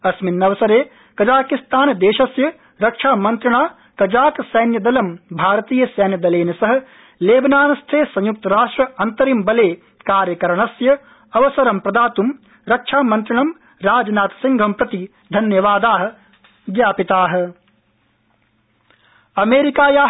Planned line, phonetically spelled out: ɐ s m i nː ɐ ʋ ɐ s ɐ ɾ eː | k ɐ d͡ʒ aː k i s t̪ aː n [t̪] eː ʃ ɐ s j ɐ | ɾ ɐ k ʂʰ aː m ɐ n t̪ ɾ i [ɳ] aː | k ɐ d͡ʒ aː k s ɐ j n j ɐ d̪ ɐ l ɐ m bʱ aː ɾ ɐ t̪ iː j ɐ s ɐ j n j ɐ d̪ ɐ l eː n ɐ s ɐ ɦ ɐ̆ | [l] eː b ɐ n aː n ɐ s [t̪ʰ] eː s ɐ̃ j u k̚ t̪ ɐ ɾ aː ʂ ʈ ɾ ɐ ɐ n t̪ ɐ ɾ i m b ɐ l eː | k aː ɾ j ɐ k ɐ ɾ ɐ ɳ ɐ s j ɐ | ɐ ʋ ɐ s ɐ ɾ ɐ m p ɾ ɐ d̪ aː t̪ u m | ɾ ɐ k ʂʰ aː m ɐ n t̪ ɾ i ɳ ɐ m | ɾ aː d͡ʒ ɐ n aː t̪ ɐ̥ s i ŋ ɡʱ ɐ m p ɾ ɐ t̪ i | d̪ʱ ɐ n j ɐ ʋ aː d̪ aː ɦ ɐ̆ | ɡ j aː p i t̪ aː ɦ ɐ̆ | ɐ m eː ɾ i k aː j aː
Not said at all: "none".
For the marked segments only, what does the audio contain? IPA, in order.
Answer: d̪, ɳ, l, t̪ʰ

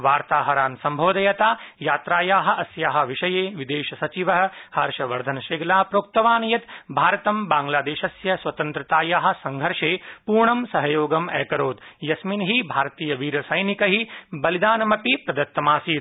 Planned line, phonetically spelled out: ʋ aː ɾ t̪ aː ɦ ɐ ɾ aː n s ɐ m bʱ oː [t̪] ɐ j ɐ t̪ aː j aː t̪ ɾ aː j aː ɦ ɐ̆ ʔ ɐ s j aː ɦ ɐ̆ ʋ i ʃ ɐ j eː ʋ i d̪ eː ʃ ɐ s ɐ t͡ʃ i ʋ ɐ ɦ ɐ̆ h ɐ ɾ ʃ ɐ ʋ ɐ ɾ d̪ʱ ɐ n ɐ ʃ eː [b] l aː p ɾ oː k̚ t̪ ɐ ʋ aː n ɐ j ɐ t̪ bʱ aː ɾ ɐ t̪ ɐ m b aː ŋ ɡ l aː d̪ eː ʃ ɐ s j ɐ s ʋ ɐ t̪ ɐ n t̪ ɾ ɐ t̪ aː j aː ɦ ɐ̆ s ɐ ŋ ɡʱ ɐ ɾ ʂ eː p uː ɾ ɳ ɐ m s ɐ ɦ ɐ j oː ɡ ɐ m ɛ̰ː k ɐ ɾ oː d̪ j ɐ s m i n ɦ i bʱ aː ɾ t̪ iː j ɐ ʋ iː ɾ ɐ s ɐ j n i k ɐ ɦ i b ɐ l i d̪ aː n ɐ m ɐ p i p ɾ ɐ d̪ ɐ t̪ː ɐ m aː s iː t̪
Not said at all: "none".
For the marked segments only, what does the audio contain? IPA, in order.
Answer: d̪, ɡ

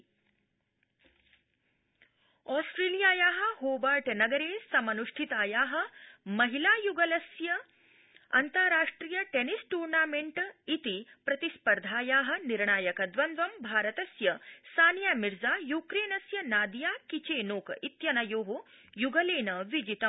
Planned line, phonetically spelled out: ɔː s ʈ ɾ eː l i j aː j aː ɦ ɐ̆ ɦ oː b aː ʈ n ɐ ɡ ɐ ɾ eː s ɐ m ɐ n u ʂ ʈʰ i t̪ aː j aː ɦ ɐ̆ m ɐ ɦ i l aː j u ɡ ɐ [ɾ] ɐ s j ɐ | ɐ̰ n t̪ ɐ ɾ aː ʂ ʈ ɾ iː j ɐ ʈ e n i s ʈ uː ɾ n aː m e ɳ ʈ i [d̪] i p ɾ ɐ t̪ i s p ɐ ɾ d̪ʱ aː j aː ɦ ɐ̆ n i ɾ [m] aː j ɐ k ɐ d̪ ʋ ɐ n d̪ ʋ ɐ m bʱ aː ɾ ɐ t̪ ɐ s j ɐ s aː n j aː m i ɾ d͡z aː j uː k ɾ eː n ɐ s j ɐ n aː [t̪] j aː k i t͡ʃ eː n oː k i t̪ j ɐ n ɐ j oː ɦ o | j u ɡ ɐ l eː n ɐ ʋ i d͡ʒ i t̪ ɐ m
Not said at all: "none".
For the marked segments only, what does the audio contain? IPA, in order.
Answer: l, t̪, ɳ, d̪

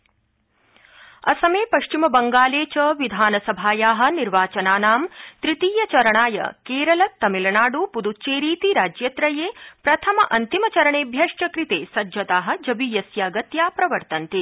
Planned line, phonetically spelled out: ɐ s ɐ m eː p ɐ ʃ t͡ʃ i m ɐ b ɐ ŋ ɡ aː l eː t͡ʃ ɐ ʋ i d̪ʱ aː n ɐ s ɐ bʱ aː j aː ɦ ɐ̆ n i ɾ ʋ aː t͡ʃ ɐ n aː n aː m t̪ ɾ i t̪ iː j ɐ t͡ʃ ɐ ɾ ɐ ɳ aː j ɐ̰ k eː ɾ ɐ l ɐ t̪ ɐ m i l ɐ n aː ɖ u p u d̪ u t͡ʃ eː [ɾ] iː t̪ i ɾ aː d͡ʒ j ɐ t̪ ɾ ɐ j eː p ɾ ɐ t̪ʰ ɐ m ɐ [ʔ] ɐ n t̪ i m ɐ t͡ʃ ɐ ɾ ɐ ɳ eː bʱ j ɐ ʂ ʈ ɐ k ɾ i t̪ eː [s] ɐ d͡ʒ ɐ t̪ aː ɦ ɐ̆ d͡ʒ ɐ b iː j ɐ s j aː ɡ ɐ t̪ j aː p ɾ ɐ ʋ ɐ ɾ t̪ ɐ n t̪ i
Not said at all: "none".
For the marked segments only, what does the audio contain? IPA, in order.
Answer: ɾ, ʔ, s

